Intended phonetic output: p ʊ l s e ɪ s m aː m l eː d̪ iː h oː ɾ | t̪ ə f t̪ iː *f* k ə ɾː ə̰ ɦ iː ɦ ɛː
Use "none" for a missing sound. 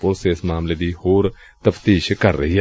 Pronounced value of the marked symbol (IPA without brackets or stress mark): ʃ